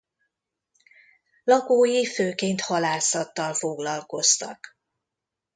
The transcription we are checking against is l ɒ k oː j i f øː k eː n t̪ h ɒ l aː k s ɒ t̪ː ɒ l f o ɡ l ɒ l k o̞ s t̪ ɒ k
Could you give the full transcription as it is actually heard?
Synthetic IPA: l ɒ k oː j i f øː k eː n t̪ h ɒ l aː s ɒ t̪ː ɒ l f o ɡ l ɒ l k o̞ s t̪ ɒ k